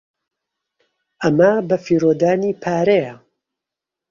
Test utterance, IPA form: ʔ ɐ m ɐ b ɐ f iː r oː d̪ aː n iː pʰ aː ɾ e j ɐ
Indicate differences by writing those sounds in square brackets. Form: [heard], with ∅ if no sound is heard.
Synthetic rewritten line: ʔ ɐ m ɐ b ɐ f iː [ɾ] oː d̪ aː n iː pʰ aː ɾ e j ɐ